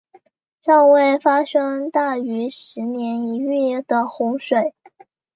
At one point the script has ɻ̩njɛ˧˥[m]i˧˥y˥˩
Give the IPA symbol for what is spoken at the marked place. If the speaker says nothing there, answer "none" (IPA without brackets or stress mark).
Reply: n